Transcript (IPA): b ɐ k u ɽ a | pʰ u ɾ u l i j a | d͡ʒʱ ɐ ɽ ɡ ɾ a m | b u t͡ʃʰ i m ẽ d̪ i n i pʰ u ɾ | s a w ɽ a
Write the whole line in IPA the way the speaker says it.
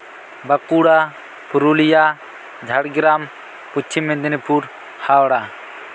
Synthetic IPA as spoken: b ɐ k u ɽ a | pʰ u ɾ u l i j a | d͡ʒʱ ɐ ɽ ɡ ɾ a m | p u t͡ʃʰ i m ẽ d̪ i n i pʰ u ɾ | h a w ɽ a